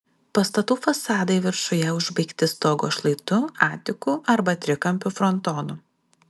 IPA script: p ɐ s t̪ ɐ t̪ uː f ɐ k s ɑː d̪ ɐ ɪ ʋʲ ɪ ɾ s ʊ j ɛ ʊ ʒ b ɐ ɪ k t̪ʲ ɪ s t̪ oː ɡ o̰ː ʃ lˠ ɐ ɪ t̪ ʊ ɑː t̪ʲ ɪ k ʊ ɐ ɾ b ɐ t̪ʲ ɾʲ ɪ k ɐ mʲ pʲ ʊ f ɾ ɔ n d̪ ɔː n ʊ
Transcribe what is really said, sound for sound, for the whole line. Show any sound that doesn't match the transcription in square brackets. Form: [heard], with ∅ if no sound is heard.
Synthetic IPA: p ɐ s t̪ ɐ t̪ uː f ɐ [∅] s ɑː d̪ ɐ ɪ ʋʲ ɪ ɾ [ʃ] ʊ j ɛ ʊ ʒ b ɐ ɪ k t̪ʲ ɪ s t̪ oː ɡ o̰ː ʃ lˠ ɐ ɪ t̪ ʊ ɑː t̪ʲ ɪ k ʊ ɐ ɾ b ɐ t̪ʲ ɾʲ ɪ k ɐ mʲ pʲ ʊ f ɾ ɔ n [t̪] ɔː n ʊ